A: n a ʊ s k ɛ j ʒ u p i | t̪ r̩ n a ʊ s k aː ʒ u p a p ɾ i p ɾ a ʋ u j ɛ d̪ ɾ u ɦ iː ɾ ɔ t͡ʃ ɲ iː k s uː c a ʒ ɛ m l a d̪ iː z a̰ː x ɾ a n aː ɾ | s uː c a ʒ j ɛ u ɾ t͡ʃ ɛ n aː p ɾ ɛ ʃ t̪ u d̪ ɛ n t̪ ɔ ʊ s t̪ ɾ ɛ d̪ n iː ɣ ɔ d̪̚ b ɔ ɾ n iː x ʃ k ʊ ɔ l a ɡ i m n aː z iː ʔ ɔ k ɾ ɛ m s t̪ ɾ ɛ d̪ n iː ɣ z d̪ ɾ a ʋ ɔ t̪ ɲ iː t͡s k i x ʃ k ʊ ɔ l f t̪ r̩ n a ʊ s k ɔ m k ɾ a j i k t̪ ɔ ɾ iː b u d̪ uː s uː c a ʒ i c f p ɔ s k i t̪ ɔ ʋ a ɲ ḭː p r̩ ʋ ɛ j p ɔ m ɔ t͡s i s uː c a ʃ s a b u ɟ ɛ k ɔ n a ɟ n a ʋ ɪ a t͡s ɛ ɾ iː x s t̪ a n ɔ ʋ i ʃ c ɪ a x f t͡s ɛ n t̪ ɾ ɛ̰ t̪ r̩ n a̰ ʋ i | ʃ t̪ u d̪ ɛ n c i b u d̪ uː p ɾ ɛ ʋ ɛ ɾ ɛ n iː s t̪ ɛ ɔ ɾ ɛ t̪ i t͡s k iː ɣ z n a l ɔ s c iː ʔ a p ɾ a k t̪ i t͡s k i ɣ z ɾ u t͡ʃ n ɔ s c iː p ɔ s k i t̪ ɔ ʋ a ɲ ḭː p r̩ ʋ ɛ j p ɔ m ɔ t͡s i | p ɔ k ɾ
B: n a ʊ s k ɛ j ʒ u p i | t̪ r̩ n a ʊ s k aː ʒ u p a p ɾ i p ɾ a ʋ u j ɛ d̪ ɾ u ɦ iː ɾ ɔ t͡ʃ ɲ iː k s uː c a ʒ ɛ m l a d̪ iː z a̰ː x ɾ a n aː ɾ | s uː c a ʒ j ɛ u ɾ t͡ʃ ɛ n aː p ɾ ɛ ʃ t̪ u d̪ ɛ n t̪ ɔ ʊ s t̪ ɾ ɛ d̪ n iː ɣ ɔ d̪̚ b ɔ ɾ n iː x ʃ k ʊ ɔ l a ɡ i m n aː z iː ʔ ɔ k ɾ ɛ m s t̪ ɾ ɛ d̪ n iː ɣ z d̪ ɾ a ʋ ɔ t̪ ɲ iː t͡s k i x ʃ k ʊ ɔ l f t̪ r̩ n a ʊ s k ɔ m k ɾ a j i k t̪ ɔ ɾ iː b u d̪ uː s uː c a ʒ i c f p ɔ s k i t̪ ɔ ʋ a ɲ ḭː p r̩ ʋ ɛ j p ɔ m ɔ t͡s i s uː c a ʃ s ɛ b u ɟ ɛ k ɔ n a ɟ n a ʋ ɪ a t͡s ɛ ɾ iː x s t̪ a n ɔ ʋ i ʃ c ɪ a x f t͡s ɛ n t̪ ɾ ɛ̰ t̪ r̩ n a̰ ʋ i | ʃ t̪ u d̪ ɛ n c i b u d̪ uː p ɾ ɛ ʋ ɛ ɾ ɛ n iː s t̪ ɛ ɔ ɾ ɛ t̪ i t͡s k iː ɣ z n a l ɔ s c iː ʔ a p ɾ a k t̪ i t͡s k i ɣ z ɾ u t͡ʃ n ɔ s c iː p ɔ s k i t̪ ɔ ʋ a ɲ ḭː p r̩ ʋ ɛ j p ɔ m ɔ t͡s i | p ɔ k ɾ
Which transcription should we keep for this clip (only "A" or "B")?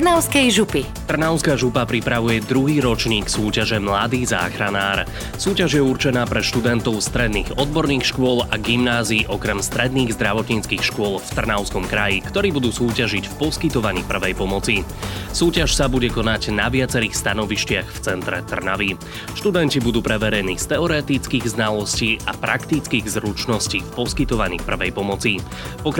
A